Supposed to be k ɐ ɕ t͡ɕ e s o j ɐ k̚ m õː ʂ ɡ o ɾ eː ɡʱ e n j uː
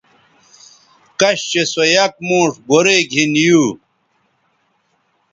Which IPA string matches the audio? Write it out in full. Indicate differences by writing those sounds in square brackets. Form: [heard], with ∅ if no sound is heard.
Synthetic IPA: k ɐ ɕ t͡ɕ e s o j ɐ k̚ m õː ʂ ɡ o ɾ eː ɡʱ [i] n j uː